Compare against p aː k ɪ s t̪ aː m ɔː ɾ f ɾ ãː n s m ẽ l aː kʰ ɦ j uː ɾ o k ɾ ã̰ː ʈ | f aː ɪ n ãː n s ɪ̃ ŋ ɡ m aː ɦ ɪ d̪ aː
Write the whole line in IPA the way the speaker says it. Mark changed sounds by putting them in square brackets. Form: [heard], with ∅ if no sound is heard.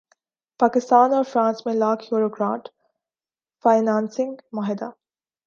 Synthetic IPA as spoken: p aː k ɪ s t̪ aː [n] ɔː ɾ f ɾ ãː n s m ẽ l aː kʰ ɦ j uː ɾ o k ɾ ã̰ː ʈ | f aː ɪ n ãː n s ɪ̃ ŋ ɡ m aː ɦ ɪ d̪ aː